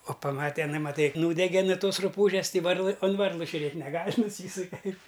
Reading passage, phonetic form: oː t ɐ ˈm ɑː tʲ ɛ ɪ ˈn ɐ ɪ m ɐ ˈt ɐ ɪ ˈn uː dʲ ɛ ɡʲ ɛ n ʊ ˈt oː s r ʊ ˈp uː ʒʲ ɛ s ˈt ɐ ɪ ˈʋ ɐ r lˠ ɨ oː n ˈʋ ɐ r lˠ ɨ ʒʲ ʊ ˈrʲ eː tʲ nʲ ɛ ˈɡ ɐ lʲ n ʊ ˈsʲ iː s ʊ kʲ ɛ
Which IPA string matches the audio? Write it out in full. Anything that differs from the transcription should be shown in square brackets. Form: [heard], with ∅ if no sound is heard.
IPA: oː [p] ɐ ˈm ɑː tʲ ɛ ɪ ˈn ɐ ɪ m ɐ ˈt ɐ ɪ ˈn uː dʲ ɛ ɡʲ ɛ n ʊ ˈt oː s r ʊ ˈp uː ʒʲ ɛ s ˈt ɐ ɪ ˈʋ ɐ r lˠ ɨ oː n ˈʋ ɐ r lˠ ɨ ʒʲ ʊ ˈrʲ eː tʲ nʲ ɛ ˈɡ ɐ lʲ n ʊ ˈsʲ iː s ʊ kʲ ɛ

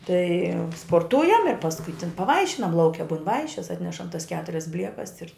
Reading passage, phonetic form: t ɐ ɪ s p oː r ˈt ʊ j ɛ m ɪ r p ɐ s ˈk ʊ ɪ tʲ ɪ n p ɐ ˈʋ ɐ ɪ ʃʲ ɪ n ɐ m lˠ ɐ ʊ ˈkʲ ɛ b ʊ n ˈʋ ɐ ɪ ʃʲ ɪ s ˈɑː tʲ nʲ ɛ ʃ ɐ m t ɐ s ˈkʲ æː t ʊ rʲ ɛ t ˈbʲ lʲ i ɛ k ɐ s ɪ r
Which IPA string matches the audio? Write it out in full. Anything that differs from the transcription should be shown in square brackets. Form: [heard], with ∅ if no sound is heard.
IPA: t ɐ ɪ s p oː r ˈt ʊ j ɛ m ɪ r p ɐ s ˈk ʊ ɪ tʲ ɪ n p ɐ ˈʋ ɐ ɪ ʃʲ ɪ n ɐ m lˠ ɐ ʊ ˈkʲ ɛ b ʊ n ˈʋ ɐ ɪ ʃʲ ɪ s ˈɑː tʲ nʲ ɛ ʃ ɐ m t ɐ s ˈkʲ æː t ʊ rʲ ɛ [s] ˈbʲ lʲ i ɛ k ɐ s ɪ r

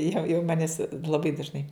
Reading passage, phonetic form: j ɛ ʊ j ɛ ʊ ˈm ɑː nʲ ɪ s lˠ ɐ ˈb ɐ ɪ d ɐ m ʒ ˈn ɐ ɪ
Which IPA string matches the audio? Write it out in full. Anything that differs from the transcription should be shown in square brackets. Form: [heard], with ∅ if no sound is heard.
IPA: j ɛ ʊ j ɛ ʊ ˈm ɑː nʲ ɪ s lˠ ɐ ˈb ɐ ɪ d ɐ [∅] ʒ ˈn ɐ ɪ

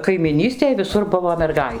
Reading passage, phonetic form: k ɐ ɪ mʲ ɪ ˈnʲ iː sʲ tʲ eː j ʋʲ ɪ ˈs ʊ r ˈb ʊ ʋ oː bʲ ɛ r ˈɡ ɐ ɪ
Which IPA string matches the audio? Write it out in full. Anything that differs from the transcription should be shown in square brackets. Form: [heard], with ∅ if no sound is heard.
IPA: k ɐ ɪ mʲ ɪ ˈnʲ iː sʲ tʲ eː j ʋʲ ɪ ˈs ʊ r ˈb ʊ ʋ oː [mʲ] ɛ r ˈɡ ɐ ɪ

